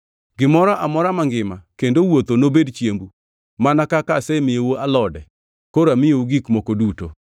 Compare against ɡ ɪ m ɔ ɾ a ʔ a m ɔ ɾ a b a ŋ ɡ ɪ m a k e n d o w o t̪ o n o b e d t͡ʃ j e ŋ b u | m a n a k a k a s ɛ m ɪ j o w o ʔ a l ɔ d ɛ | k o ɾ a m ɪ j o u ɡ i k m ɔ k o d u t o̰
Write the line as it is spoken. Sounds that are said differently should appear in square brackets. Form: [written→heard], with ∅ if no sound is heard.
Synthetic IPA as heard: ɡ ɪ m ɔ ɾ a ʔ a m ɔ ɾ a [b→m] a ŋ ɡ ɪ m a k e n d o w o t̪ o n o b e d t͡ʃ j e [ŋ→m] b u | m a n a k a k a s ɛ m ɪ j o w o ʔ a l ɔ d ɛ | k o ɾ a m ɪ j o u ɡ i k m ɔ k o d u t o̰

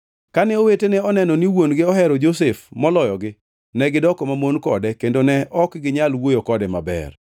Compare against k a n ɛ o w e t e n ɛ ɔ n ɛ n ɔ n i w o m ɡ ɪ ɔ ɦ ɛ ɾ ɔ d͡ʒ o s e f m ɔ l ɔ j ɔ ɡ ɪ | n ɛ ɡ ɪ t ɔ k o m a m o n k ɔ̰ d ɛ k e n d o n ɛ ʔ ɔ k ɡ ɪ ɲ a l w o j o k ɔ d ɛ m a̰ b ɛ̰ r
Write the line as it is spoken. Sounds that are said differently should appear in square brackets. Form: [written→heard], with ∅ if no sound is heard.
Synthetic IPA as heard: k a n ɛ o w e t e n ɛ ɔ n ɛ n ɔ n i w o [m→n] ɡ ɪ ɔ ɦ ɛ ɾ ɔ d͡ʒ o s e f m ɔ l ɔ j ɔ ɡ ɪ | n ɛ ɡ ɪ [t→d] ɔ k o m a m o n k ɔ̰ d ɛ k e n d o n ɛ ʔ ɔ k ɡ ɪ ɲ a l w o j o k ɔ d ɛ m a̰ b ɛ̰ r

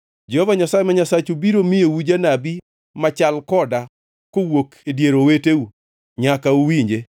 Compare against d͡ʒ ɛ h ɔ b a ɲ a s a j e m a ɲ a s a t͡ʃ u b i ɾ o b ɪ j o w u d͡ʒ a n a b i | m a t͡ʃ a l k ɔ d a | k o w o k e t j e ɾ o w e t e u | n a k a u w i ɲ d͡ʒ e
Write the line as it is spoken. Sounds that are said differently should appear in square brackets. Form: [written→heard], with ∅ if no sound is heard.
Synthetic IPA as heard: d͡ʒ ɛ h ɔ [b→v] a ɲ a s a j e m a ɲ a s a t͡ʃ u b i ɾ o [b→m] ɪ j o w u d͡ʒ a n a b i | m a t͡ʃ a l k ɔ d a | k o w o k e [t→d] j e ɾ o w e t e u | [n→ɲ] a k a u w i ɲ d͡ʒ e

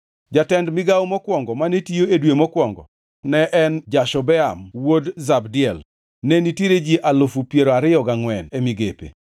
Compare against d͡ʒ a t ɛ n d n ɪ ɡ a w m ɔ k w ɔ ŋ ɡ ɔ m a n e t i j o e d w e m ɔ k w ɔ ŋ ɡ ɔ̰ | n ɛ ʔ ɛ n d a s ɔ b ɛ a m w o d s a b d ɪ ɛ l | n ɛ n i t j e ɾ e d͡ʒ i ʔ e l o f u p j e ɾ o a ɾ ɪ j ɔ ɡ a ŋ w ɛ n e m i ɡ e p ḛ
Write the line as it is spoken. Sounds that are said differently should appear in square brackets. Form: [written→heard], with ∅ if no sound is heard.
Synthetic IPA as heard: d͡ʒ a t ɛ n d [n→m] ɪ ɡ a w m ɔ k w ɔ ŋ ɡ ɔ m a n e t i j o e d w e m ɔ k w ɔ ŋ ɡ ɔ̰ | n ɛ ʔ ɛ n [d→d͡ʒ] a [s→ʃ] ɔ b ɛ a m w o d [s→z] a b d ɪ ɛ l | n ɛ n i t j e ɾ e d͡ʒ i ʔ [e→a] l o f u p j e ɾ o a ɾ ɪ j ɔ ɡ a ŋ w ɛ n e m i ɡ e p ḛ

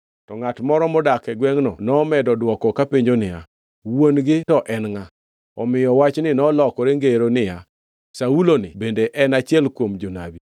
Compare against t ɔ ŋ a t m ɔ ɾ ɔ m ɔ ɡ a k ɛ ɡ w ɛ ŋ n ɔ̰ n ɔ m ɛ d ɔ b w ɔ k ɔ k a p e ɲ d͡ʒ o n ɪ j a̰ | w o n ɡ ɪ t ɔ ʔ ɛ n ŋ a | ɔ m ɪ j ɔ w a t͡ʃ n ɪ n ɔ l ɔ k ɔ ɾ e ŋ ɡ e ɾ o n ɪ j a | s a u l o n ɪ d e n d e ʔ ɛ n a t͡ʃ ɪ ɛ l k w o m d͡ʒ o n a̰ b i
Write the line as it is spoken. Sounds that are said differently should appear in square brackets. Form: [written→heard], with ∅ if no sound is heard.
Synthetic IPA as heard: t ɔ ŋ a t m ɔ ɾ ɔ m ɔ [ɡ→d] a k ɛ ɡ w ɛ ŋ n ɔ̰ n ɔ m ɛ d ɔ [b→d] w ɔ k ɔ k a p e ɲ d͡ʒ o n ɪ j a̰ | w o n ɡ ɪ t ɔ ʔ ɛ n ŋ a | ɔ m ɪ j ɔ w a t͡ʃ n ɪ n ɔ l ɔ k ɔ ɾ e ŋ ɡ e ɾ o n ɪ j a | s a u l o n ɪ [d→b] e n d e ʔ ɛ n a t͡ʃ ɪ ɛ l k w o m d͡ʒ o n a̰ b i

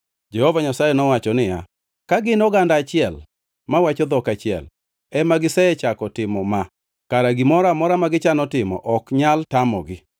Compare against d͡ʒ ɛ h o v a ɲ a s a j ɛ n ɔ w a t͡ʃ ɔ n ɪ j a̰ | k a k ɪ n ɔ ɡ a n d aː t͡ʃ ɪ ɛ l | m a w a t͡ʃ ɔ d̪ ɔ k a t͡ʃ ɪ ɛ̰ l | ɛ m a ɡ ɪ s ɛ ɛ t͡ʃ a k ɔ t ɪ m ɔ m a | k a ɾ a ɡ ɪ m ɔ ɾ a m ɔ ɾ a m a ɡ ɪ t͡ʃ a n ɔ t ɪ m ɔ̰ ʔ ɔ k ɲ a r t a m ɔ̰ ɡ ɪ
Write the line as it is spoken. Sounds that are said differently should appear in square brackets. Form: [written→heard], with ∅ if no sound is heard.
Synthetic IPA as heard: d͡ʒ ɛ h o v a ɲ a s a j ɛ n ɔ w a t͡ʃ ɔ n ɪ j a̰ | k a [k→ɡ] ɪ n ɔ ɡ a n d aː t͡ʃ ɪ ɛ l | m a w a t͡ʃ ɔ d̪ ɔ k a t͡ʃ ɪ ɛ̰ l | ɛ m a ɡ ɪ s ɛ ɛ t͡ʃ a k ɔ t ɪ m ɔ m a | k a ɾ a ɡ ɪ m ɔ ɾ a m ɔ ɾ a m a ɡ ɪ t͡ʃ a n ɔ t ɪ m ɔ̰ ʔ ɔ k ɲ a [r→l] t a m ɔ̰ ɡ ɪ

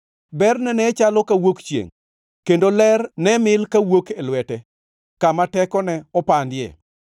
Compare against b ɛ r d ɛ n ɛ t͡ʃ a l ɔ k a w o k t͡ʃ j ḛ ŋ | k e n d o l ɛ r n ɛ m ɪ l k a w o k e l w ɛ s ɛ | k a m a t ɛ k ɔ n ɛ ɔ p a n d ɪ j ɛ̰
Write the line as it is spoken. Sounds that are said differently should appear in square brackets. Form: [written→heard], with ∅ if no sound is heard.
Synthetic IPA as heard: b ɛ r [d→n] ɛ n ɛ t͡ʃ a l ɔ k a w o k t͡ʃ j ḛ ŋ | k e n d o l ɛ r n ɛ m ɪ l k a w o k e l w ɛ [s→t] ɛ | k a m a t ɛ k ɔ n ɛ ɔ p a n d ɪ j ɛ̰

